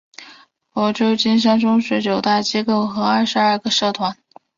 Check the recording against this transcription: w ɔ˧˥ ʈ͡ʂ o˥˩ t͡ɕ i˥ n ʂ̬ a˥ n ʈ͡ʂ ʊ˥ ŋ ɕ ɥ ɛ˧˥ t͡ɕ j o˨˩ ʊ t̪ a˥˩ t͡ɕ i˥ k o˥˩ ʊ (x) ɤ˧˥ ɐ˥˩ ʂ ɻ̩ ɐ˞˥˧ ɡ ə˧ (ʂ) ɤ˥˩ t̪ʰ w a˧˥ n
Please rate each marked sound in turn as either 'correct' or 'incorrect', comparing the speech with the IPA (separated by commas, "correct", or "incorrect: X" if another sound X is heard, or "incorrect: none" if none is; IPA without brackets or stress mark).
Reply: correct, correct